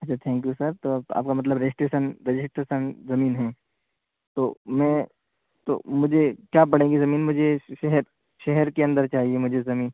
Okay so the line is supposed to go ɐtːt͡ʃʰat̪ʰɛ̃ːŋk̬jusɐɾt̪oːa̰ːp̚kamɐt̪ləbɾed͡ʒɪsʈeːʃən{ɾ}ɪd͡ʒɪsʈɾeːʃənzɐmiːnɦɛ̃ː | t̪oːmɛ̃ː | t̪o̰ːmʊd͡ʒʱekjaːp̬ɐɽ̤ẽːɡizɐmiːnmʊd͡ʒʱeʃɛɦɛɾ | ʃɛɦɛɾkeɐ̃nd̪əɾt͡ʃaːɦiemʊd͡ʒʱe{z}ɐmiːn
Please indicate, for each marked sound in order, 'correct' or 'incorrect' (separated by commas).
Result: correct, correct